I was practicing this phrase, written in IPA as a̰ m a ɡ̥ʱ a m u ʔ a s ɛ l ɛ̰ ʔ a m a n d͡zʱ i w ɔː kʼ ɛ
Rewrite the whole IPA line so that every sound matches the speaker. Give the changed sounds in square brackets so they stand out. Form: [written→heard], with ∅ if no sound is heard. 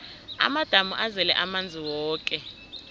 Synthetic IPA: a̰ m a [ɡ̥ʱ→d̥ʱ] a m u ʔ a [s→z] ɛ l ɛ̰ ʔ a m a n d͡zʱ i w ɔː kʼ ɛ